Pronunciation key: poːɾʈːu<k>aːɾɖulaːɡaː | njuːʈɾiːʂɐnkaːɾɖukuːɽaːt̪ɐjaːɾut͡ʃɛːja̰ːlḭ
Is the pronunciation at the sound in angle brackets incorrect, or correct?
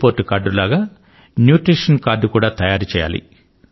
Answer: correct